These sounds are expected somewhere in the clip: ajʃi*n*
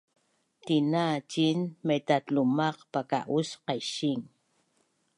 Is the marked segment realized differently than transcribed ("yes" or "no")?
yes